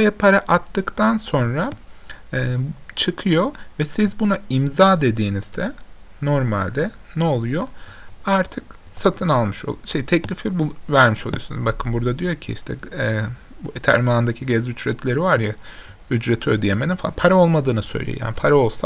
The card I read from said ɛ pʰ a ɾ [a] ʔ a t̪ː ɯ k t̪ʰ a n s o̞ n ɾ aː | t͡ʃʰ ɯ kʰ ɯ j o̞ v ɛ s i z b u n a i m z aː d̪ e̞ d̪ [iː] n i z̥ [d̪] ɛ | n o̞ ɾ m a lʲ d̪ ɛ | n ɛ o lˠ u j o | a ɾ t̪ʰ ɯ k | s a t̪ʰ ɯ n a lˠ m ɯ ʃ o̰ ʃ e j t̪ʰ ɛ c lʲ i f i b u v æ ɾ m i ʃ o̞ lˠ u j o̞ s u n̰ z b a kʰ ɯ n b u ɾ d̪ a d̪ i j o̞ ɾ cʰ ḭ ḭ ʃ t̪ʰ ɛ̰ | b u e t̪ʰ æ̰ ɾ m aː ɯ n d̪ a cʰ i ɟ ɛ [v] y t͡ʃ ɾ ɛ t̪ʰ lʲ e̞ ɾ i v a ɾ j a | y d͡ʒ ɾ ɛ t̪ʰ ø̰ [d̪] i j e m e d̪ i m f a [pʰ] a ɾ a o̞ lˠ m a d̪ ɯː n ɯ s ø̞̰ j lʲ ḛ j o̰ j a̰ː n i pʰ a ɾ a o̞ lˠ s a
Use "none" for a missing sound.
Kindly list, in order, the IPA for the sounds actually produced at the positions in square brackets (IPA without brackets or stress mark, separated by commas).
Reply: a, iː, d̪, z, d̪, pʰ